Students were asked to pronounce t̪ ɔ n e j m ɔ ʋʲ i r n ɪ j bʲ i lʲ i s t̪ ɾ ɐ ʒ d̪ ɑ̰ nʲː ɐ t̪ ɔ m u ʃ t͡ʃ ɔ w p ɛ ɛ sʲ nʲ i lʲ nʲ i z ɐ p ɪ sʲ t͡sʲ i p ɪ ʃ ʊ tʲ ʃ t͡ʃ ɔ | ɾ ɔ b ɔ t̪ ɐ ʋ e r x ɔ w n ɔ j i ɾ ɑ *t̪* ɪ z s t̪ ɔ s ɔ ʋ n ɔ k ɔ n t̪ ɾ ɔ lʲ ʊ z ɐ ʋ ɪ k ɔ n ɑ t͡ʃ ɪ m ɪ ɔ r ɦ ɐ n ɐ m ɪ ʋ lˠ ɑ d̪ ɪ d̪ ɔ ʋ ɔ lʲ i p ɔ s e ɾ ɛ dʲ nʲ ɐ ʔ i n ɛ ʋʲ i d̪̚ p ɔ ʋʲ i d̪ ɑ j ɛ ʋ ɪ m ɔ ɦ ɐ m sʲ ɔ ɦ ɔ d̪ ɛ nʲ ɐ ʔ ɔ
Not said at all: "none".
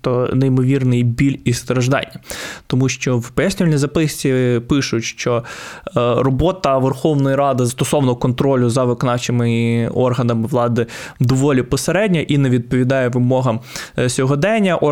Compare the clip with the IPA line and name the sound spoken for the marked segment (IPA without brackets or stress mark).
d̪